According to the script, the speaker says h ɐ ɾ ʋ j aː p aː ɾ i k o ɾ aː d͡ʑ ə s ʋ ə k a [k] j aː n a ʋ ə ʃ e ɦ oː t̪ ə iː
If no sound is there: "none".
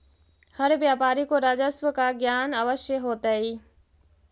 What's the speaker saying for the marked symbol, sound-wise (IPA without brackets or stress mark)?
ɡ